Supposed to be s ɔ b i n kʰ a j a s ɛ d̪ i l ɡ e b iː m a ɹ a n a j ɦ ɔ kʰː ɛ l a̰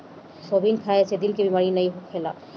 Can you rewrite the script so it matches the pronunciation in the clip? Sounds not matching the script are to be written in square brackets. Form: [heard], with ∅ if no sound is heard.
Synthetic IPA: s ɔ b i n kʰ a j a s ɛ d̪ i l [k] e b [i] m a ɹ [i] n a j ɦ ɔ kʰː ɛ l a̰